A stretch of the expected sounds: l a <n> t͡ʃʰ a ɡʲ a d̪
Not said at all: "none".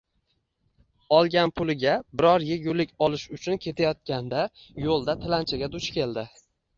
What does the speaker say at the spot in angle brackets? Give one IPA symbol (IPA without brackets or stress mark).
n